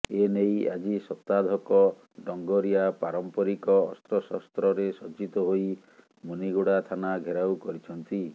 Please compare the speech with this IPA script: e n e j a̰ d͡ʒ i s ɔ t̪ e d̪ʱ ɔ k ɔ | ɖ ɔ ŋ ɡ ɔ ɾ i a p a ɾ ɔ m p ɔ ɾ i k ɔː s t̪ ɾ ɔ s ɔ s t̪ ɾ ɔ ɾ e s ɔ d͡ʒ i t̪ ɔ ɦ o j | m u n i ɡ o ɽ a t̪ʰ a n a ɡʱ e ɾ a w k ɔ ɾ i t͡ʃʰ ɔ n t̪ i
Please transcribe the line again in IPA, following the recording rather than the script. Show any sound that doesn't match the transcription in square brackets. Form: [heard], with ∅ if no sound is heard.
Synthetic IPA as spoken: e n e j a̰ d͡ʒ i s ɔ t̪ [a] d̪ʱ ɔ k ɔ | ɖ ɔ ŋ ɡ ɔ ɾ i a p a ɾ ɔ m p ɔ ɾ i k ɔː s t̪ ɾ ɔ s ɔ s t̪ ɾ ɔ ɾ e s ɔ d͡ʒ i t̪ ɔ ɦ o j | m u n i ɡ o ɽ a t̪ʰ a n a ɡʱ e ɾ a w k ɔ ɾ i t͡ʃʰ ɔ n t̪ i